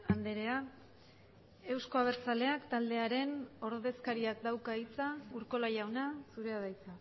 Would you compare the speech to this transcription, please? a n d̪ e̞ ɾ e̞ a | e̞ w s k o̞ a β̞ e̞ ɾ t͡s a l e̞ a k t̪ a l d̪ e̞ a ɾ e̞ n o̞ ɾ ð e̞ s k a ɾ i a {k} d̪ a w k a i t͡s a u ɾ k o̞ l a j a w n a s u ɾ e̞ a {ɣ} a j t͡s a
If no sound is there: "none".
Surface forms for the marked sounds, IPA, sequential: k, ð

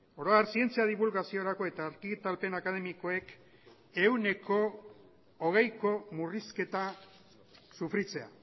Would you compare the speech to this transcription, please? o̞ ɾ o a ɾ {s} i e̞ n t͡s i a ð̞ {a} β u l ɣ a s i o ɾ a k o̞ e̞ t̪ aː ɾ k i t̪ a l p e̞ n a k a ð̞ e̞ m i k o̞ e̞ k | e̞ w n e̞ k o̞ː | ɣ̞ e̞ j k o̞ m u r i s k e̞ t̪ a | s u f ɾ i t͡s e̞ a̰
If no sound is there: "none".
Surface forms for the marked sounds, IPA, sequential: s, i

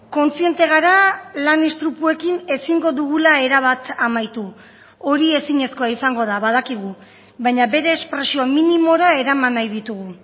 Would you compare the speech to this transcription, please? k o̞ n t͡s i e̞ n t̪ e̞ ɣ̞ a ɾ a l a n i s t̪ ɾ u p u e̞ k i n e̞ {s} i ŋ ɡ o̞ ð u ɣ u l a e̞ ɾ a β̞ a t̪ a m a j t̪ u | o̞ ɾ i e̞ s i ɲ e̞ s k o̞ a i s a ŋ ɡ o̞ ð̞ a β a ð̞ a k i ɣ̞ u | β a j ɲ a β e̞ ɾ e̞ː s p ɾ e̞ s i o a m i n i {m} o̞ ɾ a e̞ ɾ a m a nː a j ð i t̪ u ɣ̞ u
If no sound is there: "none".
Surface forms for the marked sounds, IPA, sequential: s, m

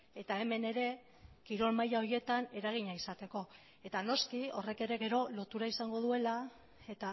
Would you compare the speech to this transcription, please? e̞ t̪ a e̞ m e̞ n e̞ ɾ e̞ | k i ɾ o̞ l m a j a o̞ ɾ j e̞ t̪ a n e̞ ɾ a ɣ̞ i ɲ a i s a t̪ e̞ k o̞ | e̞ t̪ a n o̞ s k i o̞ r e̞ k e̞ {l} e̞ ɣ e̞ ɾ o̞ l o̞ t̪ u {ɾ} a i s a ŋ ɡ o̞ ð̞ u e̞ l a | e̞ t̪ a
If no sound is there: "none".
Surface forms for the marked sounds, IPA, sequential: ɾ, ɾ

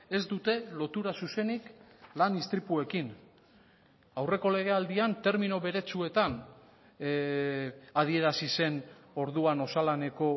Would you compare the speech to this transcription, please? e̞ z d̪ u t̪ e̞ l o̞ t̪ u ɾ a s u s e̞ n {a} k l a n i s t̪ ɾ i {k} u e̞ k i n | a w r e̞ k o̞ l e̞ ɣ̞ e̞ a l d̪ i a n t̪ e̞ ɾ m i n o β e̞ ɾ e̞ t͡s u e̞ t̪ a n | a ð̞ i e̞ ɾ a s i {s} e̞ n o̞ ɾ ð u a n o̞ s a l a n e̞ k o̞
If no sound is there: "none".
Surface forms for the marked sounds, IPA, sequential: i, p, s

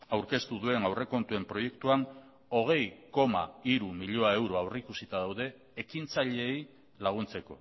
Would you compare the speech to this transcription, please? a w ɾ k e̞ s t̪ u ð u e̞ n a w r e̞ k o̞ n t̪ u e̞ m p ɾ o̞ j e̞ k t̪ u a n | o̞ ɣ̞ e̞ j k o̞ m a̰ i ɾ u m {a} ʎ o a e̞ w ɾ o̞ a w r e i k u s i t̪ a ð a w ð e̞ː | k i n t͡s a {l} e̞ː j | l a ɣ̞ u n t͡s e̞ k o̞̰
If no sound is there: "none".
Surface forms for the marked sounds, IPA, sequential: i, ʎ

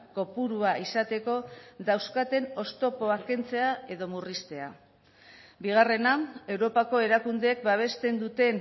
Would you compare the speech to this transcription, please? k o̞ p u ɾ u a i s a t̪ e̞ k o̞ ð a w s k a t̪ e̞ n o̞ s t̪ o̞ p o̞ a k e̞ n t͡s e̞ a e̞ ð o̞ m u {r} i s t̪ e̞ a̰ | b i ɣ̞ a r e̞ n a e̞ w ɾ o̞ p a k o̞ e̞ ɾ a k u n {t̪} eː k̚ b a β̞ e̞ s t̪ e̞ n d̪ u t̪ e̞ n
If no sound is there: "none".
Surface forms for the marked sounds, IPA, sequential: r, d̪

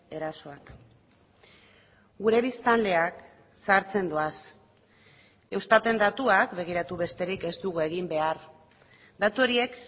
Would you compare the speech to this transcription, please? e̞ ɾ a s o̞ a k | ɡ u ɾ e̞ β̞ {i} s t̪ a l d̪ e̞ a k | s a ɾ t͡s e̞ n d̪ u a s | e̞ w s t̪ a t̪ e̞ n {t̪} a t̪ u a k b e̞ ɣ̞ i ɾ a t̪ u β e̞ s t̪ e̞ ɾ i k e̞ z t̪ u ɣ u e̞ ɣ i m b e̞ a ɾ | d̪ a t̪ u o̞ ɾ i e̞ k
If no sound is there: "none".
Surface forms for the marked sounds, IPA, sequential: i, d̪

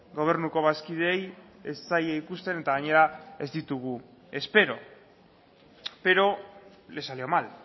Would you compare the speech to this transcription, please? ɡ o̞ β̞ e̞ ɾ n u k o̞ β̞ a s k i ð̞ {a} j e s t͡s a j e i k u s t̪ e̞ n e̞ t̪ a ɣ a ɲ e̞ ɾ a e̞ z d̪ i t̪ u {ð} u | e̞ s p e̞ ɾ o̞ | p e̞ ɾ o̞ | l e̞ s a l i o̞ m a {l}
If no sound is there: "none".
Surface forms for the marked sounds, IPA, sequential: e, ɣ, l

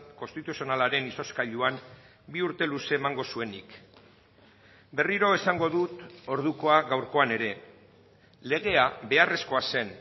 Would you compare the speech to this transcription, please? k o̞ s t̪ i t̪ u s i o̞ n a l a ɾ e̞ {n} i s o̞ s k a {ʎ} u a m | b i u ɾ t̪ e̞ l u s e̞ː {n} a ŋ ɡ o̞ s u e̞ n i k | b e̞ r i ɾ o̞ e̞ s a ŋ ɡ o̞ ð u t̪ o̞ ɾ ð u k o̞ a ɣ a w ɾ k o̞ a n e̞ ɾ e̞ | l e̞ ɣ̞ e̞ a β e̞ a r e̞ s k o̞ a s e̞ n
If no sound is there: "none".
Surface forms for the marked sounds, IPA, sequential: n, ʎ, m

